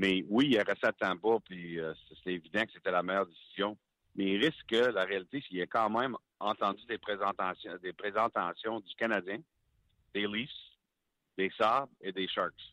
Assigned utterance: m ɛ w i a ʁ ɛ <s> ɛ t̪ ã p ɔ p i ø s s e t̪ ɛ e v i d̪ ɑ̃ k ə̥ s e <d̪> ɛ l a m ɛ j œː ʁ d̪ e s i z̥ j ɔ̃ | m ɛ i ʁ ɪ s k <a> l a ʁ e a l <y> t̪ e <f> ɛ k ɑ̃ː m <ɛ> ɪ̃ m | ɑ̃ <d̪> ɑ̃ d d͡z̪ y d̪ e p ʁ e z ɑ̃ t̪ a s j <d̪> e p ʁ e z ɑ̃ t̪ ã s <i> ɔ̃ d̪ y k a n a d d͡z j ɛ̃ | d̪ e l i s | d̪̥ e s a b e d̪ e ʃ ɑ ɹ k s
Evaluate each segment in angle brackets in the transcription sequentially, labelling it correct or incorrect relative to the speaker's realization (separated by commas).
correct, incorrect, incorrect, incorrect, incorrect, incorrect, incorrect, correct, incorrect